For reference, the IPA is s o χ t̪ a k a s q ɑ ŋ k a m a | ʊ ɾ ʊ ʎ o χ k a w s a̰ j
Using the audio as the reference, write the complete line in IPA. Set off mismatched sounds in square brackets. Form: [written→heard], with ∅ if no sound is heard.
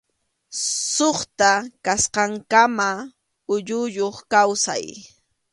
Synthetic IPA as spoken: s o χ t̪ a k a s q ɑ ŋ k a m a | ʊ [ɾ→ʎ] ʊ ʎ o χ k a w s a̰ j